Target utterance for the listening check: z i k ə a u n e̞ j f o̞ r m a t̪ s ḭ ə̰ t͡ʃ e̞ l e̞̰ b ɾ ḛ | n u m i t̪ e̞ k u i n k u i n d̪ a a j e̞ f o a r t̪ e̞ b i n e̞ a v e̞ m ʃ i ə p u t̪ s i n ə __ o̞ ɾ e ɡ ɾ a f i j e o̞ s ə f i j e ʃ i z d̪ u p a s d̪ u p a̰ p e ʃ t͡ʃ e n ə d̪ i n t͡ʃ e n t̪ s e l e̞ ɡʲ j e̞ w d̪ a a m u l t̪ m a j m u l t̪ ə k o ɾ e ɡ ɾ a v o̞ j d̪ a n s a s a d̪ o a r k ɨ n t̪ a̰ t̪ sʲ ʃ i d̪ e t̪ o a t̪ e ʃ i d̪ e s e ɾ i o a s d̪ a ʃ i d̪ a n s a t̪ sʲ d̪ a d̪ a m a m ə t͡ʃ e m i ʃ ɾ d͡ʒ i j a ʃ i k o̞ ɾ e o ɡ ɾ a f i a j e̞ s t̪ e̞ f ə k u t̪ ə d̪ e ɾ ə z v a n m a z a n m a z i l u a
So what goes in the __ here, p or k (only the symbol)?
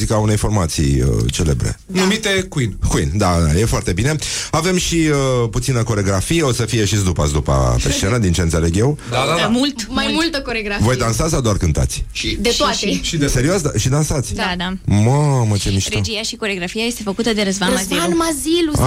k